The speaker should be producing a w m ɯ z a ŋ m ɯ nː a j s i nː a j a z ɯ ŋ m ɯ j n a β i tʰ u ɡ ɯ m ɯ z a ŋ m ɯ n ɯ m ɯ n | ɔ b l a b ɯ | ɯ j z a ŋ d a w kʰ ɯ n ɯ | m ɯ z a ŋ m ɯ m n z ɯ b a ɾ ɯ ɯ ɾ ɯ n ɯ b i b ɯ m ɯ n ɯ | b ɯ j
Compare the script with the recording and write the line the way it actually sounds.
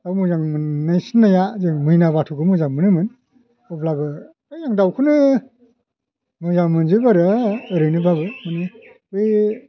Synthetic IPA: a w m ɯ z a ŋ m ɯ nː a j s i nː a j a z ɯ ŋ m ɯ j n a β a tʰ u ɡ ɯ m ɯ z a ŋ m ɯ n ɯ m ɯ n | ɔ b l a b ɯ | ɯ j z a ŋ d a w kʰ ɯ n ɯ | m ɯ z a ŋ m ɯ n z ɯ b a ɾ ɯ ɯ ɾ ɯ n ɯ b a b ɯ m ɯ n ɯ | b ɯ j